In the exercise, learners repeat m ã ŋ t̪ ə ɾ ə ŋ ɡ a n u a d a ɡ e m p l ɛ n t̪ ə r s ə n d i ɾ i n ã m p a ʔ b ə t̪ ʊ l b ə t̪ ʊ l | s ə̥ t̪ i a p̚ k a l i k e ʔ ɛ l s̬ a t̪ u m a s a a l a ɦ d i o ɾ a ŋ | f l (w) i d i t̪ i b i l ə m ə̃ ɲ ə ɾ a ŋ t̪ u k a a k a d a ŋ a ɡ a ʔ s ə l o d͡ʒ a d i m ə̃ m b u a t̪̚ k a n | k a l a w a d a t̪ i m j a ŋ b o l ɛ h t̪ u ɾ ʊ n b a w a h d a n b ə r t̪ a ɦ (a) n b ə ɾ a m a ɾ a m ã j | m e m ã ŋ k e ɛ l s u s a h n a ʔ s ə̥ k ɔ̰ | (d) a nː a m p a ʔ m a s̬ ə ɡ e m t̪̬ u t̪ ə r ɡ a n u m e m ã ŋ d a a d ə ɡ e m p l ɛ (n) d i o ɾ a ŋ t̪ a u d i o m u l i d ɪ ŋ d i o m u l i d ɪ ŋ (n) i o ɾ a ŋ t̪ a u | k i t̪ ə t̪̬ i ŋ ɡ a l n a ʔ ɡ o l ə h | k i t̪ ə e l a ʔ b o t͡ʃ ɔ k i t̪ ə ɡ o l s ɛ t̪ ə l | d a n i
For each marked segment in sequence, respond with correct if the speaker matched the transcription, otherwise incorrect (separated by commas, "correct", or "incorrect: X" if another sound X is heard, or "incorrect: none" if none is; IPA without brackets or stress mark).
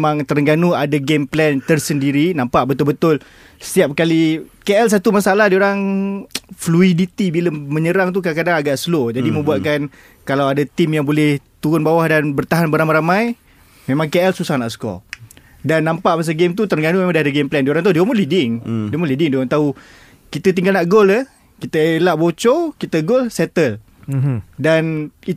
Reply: incorrect: u, correct, correct, correct, incorrect: d